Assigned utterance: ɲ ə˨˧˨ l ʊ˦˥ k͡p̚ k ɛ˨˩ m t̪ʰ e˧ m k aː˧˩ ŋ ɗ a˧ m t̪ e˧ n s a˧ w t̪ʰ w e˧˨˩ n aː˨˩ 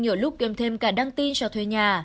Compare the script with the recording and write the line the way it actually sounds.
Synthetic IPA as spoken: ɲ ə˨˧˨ l ʊ˦˥ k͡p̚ k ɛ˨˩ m t̪ʰ e˧ m k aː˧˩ ɗ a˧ ŋ t̪ i˧ n s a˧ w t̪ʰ w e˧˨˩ ɲ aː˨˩